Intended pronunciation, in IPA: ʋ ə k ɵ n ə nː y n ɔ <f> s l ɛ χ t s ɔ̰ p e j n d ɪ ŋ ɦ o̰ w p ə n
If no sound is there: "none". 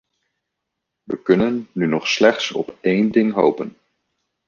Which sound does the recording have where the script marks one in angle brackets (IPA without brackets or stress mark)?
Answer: χ